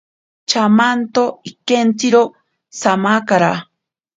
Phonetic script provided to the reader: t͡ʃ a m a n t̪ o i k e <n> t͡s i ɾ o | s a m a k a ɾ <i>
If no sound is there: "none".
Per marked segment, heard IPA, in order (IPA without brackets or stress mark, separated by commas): n, a